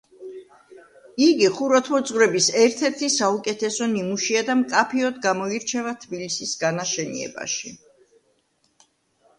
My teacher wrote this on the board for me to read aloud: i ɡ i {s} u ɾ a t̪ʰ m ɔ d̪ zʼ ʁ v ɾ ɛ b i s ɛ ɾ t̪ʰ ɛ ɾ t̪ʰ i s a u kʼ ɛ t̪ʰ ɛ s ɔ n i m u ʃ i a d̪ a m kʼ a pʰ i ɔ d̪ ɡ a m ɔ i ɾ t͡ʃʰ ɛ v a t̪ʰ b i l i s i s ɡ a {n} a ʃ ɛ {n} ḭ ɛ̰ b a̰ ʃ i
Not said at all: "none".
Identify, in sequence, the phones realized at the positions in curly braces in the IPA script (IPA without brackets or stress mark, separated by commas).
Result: χ, n, n